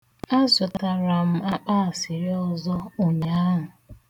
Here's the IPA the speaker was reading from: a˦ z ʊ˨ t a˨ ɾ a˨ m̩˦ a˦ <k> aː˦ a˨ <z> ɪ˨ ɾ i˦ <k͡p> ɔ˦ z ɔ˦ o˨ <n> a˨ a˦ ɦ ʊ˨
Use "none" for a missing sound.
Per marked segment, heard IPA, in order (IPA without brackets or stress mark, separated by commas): k͡p, s, none, ɲ